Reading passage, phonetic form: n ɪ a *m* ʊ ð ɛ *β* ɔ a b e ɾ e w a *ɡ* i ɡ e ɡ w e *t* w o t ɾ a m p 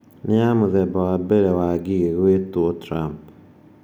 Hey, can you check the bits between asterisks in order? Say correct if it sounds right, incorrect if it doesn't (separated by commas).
correct, incorrect, correct, correct